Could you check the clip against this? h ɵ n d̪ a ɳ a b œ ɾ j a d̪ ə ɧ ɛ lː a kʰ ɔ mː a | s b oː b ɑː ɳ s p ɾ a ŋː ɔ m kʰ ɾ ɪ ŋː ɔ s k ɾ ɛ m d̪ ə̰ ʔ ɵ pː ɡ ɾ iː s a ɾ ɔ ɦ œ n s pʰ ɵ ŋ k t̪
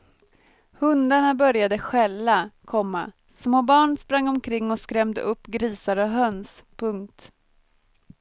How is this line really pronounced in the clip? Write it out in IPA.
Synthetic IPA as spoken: h ɵ n d̪ a ɳ a b œ ɾ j a d̪ ə ɧ ɛ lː a kʰ ɔ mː a | s m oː b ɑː ɳ s p ɾ a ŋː ɔ m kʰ ɾ ɪ ŋː ɔ s k ɾ ɛ m d̪ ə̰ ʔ ɵ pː ɡ ɾ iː s a ɾ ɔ ɦ œ n s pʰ ɵ ŋ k t̪